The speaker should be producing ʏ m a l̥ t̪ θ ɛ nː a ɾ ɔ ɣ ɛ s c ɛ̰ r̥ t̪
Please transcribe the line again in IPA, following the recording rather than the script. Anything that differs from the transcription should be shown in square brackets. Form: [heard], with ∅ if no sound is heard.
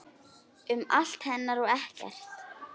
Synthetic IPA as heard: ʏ m a l̥ t̪ [h] ɛ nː a ɾ ɔ ɣ ɛ [h] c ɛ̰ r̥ t̪